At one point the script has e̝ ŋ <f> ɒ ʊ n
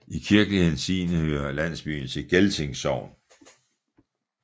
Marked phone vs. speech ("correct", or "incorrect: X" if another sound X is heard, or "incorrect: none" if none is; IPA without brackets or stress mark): incorrect: s